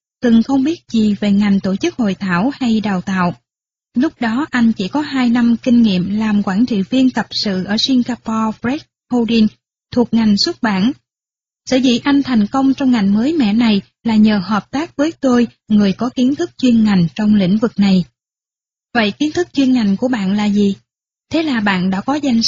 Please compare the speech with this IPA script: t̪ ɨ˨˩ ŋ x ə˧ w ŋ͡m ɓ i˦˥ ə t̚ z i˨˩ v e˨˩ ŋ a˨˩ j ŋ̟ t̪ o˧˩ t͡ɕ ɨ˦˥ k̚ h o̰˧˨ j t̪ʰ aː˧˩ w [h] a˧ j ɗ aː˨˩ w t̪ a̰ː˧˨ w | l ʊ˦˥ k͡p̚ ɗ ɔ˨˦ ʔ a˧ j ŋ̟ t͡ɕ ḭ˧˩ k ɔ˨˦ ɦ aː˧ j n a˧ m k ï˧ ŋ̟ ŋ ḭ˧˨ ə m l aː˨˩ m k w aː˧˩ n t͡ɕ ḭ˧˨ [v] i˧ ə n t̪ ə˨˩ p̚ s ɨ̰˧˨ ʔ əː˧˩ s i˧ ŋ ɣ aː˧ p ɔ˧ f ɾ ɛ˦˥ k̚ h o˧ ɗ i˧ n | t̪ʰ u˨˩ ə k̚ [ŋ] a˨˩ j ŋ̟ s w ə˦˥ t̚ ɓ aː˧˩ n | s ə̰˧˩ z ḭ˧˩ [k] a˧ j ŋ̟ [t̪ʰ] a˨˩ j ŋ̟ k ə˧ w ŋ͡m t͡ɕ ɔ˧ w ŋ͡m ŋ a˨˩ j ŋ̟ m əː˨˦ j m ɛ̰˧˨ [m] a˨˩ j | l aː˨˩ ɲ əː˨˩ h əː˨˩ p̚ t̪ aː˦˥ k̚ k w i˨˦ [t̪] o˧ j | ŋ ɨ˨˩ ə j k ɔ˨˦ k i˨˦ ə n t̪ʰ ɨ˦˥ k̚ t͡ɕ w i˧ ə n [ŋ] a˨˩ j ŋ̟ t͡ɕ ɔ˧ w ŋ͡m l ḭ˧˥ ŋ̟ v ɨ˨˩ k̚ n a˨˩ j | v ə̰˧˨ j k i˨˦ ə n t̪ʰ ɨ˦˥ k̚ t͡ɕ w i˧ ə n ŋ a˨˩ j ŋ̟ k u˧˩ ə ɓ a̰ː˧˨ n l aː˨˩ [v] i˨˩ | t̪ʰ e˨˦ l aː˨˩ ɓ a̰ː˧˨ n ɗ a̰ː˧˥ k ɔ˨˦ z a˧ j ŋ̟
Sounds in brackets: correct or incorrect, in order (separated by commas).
correct, correct, correct, incorrect, correct, incorrect, correct, correct, incorrect